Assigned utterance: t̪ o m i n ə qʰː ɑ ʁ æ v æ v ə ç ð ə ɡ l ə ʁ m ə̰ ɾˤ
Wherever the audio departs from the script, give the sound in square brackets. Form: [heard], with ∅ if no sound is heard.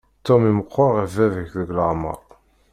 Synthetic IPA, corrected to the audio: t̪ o m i [m] ə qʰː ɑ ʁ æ v æ v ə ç ð ə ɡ l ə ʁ m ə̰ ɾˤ